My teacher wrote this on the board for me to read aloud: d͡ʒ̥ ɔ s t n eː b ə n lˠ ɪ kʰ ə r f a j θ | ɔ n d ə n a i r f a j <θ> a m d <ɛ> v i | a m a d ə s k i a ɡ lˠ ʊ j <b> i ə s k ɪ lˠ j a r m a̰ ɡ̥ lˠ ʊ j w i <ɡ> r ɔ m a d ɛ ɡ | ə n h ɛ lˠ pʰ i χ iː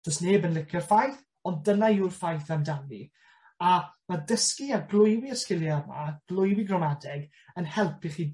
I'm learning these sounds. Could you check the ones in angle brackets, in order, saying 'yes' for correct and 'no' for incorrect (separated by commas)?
yes, no, no, yes